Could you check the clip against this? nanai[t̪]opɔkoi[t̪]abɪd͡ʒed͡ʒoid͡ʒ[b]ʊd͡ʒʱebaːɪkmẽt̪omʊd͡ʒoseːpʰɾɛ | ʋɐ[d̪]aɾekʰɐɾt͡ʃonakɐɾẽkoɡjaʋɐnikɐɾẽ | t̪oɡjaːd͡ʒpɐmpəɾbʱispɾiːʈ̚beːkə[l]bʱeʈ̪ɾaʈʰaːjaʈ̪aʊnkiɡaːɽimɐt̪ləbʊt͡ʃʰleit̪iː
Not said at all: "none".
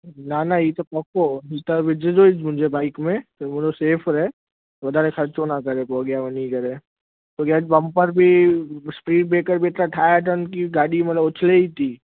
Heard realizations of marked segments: t̪, t̪, m, d̪, ɾ

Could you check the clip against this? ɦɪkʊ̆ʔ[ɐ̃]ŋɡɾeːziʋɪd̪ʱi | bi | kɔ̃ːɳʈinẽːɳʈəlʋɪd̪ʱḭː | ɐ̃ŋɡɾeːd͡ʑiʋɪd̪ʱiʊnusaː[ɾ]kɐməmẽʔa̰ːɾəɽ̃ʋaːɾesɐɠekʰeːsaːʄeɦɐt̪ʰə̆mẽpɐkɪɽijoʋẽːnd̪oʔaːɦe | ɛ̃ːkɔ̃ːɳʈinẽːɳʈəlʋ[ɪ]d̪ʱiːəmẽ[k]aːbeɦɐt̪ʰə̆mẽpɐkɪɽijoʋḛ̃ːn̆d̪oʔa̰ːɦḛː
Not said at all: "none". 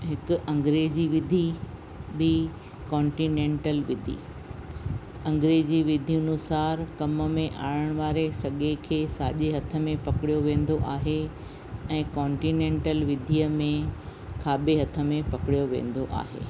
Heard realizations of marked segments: ɐ̃, ɾ, ɪ, kʰ

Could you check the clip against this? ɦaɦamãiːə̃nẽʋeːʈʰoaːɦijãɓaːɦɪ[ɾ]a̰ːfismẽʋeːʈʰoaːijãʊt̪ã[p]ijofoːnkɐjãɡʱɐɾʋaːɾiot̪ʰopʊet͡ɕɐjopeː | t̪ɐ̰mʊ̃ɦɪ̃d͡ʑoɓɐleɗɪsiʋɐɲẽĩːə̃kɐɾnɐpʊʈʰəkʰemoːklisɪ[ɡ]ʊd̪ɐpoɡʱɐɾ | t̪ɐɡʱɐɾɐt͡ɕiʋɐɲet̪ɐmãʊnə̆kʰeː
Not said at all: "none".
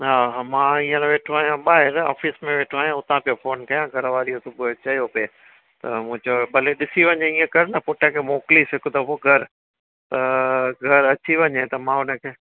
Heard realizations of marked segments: ɾ, p, k

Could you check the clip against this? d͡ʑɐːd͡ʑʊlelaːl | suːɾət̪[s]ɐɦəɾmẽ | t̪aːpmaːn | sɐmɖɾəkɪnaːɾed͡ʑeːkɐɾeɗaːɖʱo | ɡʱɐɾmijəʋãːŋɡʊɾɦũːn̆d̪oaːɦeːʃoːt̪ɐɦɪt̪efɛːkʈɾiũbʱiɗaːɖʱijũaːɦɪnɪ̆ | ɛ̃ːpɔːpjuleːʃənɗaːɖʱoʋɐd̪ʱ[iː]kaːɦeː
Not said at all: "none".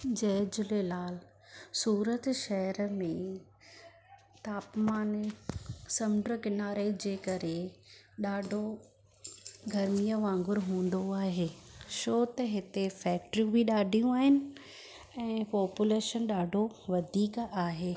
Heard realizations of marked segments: ʃ, iː

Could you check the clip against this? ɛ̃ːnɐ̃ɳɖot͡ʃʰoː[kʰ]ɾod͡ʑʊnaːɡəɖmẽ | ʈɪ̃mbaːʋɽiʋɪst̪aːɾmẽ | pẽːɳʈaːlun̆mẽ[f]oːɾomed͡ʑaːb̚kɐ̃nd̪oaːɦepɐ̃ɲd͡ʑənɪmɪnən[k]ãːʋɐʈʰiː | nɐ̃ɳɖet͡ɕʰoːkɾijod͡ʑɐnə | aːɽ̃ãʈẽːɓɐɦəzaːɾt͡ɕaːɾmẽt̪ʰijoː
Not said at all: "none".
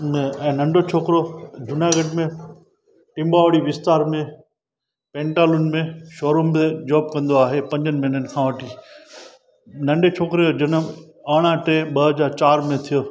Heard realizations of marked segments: k, ʃ, kʰ

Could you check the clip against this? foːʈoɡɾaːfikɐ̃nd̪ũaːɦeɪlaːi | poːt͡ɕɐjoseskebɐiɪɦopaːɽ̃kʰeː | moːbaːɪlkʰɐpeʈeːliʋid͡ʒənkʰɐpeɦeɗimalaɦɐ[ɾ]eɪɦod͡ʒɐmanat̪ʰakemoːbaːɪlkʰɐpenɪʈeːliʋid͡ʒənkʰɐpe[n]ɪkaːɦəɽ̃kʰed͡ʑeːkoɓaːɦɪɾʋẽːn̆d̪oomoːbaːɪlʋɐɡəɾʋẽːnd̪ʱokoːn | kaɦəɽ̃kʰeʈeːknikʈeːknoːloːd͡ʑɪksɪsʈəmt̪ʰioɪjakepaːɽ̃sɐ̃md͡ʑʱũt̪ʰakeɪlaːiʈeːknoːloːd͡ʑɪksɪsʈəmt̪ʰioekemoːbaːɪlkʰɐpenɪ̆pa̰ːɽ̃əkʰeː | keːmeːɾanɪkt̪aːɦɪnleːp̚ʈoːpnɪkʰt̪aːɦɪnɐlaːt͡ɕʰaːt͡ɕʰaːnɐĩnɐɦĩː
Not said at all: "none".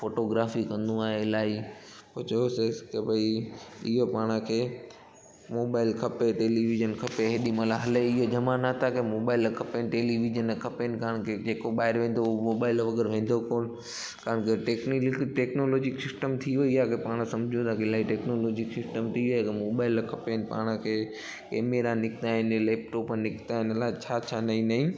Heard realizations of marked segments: l, n

